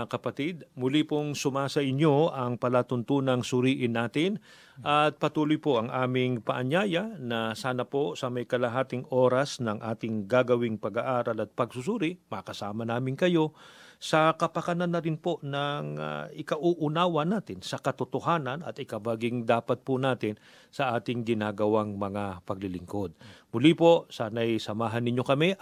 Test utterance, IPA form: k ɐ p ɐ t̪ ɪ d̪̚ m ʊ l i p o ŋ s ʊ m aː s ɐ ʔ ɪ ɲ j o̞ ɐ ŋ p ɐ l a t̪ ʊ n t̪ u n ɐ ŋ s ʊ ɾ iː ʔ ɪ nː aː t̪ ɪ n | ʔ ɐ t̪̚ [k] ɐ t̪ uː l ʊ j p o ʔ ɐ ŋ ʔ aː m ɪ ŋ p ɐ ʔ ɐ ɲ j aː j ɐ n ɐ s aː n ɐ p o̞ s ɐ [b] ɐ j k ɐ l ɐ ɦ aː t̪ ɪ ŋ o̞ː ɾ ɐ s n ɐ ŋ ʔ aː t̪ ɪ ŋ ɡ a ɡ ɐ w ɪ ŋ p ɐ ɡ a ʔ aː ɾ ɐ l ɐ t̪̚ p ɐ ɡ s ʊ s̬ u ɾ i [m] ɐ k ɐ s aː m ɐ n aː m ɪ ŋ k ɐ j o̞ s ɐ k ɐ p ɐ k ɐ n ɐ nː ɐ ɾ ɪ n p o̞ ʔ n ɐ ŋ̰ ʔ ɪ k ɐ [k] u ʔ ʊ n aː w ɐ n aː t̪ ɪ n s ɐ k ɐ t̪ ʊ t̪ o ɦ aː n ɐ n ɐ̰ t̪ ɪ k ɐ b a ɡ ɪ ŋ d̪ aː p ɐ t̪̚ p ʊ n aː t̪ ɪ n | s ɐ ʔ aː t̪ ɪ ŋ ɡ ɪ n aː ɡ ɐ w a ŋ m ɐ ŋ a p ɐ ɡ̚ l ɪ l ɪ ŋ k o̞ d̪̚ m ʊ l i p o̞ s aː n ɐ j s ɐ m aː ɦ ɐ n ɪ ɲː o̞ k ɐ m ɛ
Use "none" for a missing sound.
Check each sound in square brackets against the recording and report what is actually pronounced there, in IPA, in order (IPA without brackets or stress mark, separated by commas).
p, m, m, ʔ